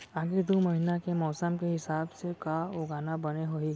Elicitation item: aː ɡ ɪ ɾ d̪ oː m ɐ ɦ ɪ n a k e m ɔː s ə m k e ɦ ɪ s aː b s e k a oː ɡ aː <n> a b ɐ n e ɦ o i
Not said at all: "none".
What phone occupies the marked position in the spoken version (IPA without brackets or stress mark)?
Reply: n